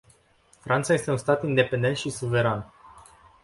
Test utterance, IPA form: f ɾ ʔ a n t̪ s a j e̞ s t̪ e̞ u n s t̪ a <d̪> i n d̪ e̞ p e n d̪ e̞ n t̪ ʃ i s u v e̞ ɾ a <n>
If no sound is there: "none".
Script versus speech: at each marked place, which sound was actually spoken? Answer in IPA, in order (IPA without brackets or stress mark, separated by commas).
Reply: t̪, n